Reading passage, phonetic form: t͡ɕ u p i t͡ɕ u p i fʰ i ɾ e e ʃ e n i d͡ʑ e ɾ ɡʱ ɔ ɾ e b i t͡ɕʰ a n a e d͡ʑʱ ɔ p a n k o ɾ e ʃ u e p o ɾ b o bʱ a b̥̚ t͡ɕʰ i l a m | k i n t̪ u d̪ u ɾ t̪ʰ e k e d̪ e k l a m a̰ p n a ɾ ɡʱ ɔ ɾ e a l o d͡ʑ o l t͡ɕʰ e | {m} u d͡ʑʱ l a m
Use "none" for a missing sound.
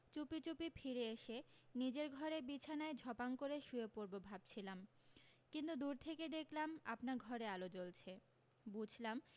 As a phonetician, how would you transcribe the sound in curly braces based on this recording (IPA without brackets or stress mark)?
b